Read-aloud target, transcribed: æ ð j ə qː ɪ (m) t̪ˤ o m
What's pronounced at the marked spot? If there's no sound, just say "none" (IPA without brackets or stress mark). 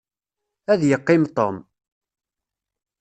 m